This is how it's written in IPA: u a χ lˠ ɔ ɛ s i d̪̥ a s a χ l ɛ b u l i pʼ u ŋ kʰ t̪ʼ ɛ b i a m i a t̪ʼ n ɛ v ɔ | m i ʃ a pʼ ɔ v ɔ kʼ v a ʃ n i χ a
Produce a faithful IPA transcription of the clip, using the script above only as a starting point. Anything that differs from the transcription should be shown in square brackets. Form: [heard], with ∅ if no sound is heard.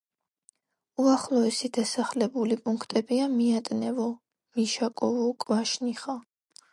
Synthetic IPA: u a χ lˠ ɔ ɛ s i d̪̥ a s a χ l ɛ b u l i pʼ u ŋ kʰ t̪ʼ ɛ b i a m i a t̪ʼ n ɛ v ɔ | m i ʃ a [kʼ] ɔ v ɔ kʼ v a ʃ n i χ a